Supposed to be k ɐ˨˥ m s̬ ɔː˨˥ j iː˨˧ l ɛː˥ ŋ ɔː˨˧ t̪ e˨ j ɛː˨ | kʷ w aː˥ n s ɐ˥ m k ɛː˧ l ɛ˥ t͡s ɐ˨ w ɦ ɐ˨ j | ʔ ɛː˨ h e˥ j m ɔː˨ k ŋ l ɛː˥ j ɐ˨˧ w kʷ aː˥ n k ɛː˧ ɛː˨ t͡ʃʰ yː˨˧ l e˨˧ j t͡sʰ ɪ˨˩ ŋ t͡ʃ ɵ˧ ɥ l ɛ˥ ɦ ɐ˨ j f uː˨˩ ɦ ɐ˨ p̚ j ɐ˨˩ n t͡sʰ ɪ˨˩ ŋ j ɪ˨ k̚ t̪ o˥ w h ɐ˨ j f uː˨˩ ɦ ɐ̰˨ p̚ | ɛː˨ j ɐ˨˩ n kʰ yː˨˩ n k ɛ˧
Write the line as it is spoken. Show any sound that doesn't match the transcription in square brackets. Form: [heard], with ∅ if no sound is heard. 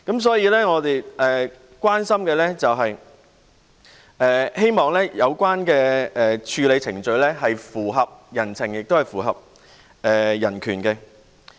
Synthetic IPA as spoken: k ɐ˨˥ m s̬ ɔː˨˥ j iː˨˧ l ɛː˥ ŋ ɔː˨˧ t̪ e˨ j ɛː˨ | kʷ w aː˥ n s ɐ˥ m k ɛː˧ l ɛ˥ t͡s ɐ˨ w ɦ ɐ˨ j | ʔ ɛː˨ h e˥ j m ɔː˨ [∅] ŋ l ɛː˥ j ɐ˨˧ w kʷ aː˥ n k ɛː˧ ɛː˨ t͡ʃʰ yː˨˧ l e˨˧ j t͡sʰ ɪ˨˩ ŋ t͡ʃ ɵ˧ ɥ l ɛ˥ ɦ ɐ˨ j f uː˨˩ ɦ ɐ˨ p̚ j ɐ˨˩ n t͡sʰ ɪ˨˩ ŋ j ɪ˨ k̚ t̪ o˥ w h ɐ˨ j f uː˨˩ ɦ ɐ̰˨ p̚ | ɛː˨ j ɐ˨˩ n kʰ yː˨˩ n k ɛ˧